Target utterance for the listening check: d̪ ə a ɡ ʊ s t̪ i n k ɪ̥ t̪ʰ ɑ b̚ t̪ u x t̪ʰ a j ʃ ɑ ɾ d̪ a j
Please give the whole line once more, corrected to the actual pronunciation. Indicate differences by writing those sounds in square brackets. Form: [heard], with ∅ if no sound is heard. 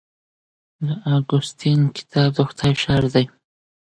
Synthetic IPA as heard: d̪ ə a ɡ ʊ s t̪ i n k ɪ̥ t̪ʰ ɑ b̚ [d̪] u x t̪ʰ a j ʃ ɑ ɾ d̪ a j